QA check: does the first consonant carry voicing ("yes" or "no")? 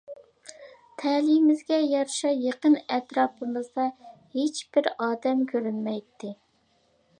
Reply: no